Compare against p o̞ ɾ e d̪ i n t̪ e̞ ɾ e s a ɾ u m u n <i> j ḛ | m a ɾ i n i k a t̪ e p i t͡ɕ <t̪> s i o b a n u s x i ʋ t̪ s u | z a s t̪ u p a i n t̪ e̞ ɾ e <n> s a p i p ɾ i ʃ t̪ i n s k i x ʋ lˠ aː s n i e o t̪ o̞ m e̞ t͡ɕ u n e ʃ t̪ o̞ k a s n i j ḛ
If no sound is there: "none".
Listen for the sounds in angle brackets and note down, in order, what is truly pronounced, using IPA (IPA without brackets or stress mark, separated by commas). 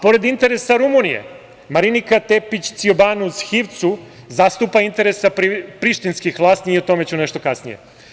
i, t̪, none